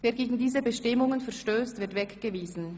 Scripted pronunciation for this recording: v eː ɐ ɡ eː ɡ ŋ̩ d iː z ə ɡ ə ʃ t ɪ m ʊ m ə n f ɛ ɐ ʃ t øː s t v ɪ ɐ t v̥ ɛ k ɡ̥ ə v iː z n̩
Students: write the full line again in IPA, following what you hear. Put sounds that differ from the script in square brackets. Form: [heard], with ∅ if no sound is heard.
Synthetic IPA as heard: v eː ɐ ɡ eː ɡ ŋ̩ d iː z ə [b] ə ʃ t ɪ m ʊ [ŋ] ə n f ɛ ɐ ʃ t øː s t v ɪ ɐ t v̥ ɛ k ɡ̥ ə v iː z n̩